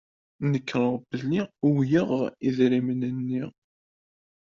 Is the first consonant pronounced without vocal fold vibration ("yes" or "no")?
no